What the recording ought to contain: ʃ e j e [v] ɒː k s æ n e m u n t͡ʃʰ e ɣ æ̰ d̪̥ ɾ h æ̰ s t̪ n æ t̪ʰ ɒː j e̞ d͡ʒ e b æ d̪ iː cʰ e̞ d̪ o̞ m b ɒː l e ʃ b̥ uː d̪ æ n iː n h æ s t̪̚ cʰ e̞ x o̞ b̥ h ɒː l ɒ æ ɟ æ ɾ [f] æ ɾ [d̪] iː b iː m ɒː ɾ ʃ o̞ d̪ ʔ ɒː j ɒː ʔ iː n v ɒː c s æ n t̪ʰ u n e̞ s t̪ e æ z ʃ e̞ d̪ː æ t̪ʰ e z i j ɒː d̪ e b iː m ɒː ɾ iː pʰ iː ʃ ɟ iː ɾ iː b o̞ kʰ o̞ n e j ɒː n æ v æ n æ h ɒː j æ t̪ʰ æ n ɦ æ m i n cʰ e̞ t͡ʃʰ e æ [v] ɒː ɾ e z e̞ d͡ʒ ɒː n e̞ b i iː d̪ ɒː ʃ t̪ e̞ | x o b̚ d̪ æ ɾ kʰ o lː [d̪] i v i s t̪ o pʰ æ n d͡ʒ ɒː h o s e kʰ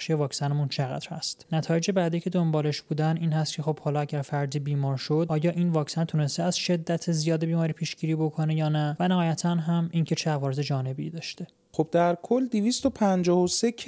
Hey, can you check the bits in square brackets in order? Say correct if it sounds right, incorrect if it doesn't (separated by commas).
correct, correct, correct, correct, correct